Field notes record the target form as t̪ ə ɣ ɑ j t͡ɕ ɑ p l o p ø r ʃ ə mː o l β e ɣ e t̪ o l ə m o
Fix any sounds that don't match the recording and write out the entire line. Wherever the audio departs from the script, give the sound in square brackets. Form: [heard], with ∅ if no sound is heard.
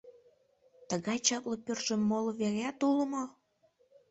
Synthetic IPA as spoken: t̪ ə ɣ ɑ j t͡ɕ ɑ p l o p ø r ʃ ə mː o l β e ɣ [æ] t̪ [u] l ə m o